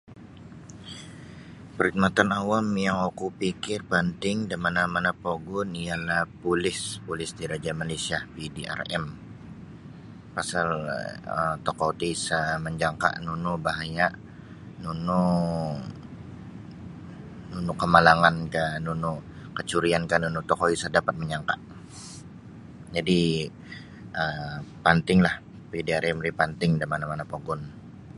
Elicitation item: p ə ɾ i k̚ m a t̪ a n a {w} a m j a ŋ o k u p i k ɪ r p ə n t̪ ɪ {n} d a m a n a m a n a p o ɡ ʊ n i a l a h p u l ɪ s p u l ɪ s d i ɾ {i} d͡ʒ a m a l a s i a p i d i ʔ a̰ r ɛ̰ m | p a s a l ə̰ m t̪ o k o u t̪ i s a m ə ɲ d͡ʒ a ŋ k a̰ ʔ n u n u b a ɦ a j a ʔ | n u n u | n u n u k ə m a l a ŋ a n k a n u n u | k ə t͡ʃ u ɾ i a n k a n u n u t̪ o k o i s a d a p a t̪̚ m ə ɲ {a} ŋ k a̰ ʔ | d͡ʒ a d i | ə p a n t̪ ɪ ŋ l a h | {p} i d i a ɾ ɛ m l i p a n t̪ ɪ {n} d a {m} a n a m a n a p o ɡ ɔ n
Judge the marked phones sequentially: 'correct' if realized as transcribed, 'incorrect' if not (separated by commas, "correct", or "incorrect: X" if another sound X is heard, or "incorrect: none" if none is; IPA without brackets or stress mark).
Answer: correct, incorrect: ŋ, incorrect: a, correct, correct, incorrect: ŋ, correct